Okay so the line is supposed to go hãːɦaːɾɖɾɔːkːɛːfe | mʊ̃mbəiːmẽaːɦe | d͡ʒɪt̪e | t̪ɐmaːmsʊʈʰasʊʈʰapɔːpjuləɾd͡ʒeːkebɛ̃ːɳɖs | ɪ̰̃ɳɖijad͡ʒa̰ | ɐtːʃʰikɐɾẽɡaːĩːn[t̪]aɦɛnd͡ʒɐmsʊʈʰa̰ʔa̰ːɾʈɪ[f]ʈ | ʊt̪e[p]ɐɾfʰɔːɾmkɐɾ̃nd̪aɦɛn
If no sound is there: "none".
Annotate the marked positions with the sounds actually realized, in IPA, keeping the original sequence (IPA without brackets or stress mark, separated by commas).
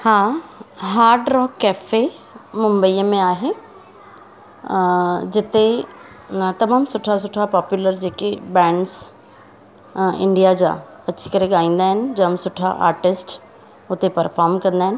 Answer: d̪, s, p